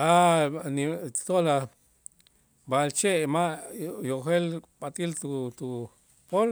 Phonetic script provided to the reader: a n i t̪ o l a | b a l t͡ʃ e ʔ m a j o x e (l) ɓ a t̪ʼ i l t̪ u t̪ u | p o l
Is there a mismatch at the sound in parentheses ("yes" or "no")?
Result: no